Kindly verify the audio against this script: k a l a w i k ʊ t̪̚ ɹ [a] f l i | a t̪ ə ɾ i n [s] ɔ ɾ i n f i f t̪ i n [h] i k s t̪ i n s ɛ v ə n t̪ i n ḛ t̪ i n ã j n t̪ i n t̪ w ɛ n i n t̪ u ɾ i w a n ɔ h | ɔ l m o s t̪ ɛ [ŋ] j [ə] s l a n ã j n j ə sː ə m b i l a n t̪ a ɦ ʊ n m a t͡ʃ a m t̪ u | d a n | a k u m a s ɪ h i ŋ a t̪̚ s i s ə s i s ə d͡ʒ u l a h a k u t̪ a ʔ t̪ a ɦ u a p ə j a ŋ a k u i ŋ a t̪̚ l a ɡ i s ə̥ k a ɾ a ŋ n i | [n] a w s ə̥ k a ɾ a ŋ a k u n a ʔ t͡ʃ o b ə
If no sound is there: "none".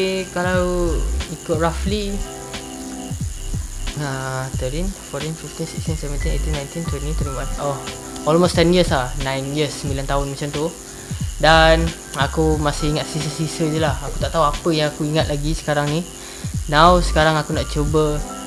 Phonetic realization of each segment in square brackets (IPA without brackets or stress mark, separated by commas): a, f, s, n, ə, n